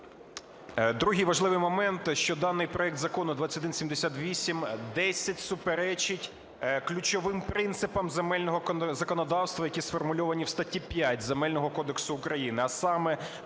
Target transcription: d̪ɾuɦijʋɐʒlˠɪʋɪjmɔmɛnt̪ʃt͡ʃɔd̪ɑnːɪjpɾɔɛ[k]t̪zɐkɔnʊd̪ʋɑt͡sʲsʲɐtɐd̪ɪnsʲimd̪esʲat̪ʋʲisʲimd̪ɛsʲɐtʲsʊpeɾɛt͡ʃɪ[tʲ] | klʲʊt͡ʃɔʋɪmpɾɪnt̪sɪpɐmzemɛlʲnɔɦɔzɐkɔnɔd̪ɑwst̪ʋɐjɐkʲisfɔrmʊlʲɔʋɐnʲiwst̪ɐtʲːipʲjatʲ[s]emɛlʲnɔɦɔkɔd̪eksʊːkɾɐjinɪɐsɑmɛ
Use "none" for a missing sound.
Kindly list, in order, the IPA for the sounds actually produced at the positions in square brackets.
k, tʲ, z

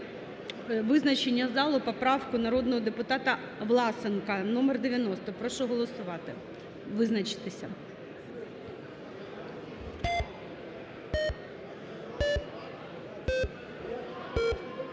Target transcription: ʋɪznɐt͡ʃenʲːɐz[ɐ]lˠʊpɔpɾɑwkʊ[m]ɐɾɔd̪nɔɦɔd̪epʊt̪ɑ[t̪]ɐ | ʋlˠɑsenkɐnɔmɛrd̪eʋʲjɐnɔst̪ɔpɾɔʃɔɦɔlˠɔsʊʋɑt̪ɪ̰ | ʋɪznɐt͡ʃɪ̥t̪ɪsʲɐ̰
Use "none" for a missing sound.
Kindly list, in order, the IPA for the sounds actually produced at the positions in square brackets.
ɑ, n, t̪

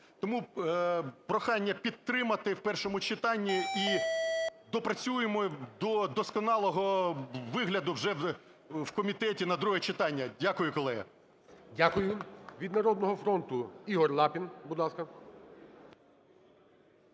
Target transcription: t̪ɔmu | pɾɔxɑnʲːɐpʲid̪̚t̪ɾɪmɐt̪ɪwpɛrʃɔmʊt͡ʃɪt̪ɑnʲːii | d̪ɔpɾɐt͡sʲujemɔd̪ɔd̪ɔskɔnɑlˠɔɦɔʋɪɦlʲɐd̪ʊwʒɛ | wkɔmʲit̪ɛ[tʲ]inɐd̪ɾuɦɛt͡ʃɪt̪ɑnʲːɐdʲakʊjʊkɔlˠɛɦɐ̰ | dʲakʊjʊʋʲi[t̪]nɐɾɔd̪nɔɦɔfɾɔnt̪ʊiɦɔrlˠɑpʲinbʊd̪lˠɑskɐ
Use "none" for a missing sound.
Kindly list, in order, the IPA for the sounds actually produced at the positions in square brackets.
tʲ, d̪

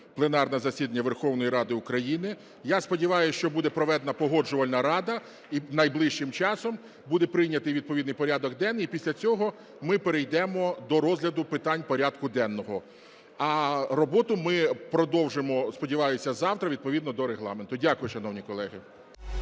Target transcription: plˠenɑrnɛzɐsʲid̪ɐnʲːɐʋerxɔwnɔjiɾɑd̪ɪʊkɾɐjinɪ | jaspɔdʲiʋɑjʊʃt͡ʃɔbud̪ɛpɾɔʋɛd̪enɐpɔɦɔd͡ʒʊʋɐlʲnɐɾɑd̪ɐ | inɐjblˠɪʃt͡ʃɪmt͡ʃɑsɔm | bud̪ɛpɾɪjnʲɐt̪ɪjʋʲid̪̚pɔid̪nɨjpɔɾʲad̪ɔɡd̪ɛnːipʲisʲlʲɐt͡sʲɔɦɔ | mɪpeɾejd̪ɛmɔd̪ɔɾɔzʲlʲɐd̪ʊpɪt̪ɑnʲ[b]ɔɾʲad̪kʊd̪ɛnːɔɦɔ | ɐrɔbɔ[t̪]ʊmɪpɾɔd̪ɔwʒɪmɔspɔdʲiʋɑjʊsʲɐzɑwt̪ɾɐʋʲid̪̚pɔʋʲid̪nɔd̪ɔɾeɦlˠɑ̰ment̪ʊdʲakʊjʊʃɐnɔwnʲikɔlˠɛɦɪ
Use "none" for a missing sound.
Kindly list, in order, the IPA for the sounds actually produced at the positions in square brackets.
p, t̪

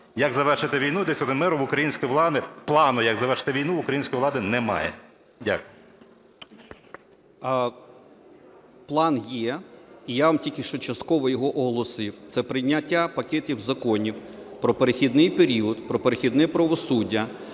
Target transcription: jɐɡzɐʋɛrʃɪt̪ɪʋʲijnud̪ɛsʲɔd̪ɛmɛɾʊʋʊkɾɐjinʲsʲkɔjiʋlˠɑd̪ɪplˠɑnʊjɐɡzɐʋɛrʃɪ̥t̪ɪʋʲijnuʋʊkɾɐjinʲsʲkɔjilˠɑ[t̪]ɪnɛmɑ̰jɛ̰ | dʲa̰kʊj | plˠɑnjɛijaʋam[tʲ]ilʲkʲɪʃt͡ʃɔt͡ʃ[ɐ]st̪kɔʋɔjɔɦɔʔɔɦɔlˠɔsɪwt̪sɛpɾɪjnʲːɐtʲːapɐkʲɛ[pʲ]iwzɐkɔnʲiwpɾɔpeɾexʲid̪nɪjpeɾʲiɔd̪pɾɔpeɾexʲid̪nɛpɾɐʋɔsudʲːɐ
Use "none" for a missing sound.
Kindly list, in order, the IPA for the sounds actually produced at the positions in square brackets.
d̪, tʲ, ɐ, tʲ

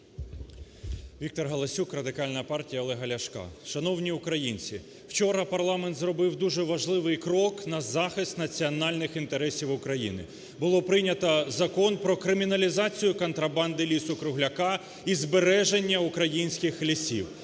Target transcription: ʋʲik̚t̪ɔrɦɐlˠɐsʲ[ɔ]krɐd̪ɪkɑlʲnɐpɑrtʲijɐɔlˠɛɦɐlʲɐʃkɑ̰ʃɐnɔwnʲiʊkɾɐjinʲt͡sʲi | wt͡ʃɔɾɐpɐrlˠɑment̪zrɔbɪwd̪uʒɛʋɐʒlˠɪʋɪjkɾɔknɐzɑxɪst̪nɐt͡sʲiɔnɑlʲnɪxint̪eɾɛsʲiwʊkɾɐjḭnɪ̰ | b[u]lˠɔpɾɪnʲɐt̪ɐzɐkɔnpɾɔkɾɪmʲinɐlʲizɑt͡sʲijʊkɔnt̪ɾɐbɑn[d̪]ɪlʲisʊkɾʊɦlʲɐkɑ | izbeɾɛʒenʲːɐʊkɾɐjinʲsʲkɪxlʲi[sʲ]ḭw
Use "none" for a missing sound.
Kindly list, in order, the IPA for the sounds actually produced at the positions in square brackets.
u, ʊ, d̪, sʲ

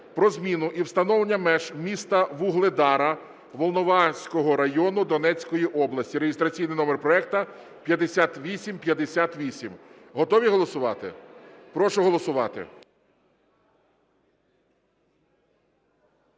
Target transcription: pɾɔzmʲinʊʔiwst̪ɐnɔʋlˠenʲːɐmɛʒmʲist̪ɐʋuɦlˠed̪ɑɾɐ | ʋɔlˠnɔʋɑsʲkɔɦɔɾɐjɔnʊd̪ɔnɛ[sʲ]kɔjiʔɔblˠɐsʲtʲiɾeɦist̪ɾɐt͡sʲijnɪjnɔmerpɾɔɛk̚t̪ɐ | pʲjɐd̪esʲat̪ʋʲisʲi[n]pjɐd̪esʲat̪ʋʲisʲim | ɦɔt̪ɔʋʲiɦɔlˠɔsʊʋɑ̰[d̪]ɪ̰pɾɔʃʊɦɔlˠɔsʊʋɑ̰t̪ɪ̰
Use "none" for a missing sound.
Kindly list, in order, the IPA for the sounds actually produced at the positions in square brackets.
t͡sʲ, m, t̪

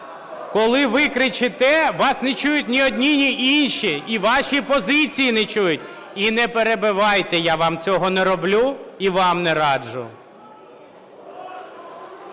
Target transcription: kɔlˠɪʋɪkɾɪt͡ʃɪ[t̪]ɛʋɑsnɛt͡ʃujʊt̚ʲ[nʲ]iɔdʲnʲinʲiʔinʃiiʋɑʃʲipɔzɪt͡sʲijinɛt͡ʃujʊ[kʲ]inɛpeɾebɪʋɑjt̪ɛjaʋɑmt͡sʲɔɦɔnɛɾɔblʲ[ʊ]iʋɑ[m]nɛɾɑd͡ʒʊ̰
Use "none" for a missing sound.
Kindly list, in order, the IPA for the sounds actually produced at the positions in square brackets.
t̪, nʲ, tʲ, u, m

